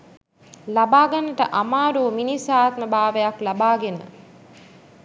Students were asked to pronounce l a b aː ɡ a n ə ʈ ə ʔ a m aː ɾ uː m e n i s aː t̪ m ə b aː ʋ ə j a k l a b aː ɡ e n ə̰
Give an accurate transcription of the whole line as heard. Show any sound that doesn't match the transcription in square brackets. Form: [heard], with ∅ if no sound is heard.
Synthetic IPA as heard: l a b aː ɡ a n ə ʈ ə ʔ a m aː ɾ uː m [i] n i s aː t̪ m ə b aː ʋ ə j a k l a b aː ɡ e n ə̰